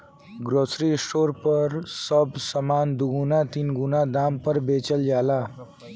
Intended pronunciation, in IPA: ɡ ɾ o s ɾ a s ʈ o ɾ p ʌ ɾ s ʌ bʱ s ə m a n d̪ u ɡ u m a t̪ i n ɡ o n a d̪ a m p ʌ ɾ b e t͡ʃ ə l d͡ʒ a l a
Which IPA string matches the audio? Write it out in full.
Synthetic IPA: ɡ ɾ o s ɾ i s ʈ o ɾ p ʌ ɾ s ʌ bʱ s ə m a n d̪ u ɡ u n a t̪ i n ɡ u n a d̪ a m p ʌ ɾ b e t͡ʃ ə l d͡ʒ a l a